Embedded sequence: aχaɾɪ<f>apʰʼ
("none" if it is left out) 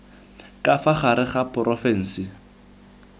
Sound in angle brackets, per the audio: χ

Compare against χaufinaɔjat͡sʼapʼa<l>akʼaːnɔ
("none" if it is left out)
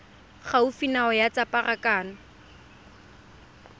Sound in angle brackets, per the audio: r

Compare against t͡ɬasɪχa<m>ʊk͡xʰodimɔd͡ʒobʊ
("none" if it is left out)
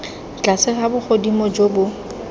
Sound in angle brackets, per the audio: b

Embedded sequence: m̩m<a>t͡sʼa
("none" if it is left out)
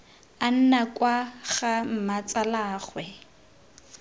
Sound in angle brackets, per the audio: a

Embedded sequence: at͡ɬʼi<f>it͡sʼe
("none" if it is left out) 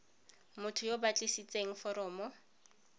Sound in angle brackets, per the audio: s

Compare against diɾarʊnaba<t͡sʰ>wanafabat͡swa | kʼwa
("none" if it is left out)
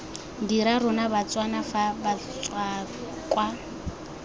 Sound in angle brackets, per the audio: t͡s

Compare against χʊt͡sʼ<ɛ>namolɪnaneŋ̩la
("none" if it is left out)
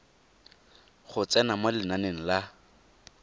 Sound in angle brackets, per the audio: ɛ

